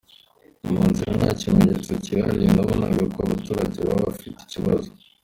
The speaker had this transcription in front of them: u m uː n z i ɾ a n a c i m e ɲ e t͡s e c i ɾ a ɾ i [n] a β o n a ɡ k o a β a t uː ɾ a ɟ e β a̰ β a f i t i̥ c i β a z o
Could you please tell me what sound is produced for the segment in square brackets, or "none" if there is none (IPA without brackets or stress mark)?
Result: n